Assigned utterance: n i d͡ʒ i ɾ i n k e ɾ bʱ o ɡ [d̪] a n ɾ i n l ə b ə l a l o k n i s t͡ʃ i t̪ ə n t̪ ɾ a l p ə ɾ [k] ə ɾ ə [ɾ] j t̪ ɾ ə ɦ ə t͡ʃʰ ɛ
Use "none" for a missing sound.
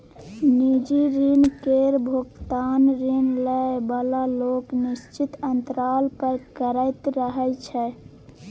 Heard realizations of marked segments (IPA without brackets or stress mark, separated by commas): t̪, k, none